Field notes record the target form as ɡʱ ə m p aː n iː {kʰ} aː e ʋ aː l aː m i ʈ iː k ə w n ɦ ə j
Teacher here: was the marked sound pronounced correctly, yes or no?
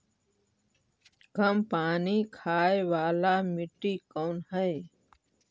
yes